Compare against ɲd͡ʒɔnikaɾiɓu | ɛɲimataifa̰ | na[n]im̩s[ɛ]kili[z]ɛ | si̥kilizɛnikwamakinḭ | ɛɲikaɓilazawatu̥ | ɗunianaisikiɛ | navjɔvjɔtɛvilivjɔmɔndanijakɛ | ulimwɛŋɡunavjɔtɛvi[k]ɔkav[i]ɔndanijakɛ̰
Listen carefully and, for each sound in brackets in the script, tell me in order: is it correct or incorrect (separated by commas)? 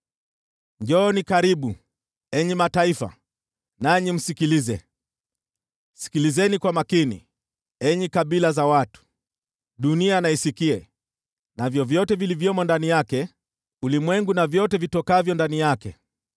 incorrect, incorrect, correct, incorrect, incorrect